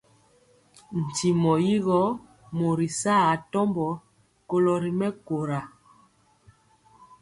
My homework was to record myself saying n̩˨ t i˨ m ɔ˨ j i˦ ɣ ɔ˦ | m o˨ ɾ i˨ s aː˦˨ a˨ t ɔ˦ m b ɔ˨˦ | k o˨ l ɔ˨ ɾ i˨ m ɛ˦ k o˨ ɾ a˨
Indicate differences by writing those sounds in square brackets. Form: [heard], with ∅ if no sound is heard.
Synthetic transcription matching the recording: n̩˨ t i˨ m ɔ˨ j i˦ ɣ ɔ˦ | m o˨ ɾ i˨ s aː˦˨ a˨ t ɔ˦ m b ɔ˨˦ | k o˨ l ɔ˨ ɾ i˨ m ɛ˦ k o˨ ɾ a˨